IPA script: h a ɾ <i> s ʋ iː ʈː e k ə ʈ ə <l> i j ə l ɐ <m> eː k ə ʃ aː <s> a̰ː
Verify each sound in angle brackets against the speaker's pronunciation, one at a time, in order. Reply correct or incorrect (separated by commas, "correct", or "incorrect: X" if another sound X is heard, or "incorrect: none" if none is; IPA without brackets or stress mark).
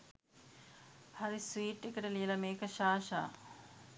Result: correct, correct, correct, incorrect: ʃ